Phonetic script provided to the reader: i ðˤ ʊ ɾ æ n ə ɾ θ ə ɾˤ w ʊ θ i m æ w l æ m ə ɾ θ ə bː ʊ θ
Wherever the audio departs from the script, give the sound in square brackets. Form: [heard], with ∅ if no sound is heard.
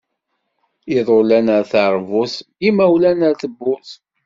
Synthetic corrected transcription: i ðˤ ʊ [l] æ n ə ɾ θ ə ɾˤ [v] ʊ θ i m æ w l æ [n] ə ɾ θ ə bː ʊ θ